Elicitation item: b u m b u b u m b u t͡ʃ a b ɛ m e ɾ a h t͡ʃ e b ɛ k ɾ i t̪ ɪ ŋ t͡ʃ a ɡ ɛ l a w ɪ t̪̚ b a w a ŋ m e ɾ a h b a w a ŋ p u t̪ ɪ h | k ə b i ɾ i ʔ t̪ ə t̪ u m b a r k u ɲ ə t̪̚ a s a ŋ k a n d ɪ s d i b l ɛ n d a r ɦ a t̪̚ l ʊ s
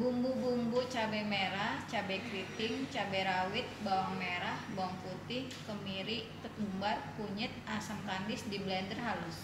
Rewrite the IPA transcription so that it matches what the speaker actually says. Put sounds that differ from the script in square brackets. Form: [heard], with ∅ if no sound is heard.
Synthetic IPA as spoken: b u m b u b u m b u t͡ʃ a b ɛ m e ɾ a h t͡ʃ [a] b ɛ k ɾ i t̪ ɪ ŋ t͡ʃ a [b] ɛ [ɾ] a w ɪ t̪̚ b a w a ŋ m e ɾ a h b a w a ŋ p u t̪ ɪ h | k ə [m] i ɾ i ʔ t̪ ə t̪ u m b a r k u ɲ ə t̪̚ a s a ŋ k a n d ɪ s d i b l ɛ n d [ə] r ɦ a [∅] l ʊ s